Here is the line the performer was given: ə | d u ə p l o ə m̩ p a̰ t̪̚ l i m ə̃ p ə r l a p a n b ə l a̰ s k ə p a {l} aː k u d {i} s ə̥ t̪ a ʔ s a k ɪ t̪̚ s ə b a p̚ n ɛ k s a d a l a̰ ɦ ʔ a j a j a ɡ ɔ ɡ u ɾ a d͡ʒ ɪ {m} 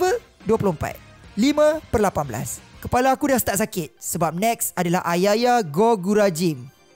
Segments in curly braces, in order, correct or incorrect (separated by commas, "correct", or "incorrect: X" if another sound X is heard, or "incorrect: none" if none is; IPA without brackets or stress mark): correct, incorrect: a, correct